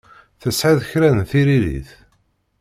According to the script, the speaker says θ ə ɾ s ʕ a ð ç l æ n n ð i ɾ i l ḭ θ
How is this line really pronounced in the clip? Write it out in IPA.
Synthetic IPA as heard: θ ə s ʕ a ð ç ɾ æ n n θ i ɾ i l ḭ θ